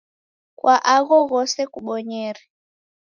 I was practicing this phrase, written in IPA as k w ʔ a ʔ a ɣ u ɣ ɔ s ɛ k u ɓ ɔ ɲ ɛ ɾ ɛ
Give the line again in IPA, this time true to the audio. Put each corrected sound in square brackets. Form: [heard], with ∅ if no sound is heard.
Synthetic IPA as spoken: k w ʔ a ʔ a ɣ [ɔ] ɣ ɔ s ɛ k u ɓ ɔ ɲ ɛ ɾ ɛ

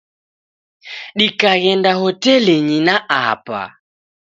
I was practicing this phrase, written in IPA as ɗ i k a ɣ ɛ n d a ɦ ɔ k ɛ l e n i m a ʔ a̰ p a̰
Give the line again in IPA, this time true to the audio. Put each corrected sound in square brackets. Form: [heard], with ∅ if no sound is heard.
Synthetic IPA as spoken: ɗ i k a ɣ ɛ n d a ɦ ɔ [t] ɛ l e [ɲ] i [n] a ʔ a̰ p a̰

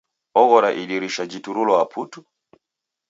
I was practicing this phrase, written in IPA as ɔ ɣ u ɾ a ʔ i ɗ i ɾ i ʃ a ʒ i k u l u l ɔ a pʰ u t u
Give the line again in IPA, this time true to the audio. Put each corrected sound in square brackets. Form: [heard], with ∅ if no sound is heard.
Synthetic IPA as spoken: ɔ ɣ [ɔ] ɾ a ʔ i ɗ i ɾ i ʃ a [d͡ʒ] i [t] u [ɾ] u l ɔ a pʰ u t u

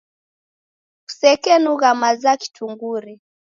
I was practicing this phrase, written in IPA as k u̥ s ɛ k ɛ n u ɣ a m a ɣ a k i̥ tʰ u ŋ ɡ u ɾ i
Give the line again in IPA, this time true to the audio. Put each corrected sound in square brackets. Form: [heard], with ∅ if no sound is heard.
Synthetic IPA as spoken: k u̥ s ɛ k ɛ n u ɣ a m a [z] a k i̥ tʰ u ŋ ɡ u ɾ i

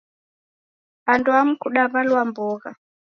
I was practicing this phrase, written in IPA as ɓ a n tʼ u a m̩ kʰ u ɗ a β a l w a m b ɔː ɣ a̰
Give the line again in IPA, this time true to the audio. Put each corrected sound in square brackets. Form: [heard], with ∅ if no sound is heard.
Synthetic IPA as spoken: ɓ a n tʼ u a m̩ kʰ u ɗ a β a l w a m b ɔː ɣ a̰

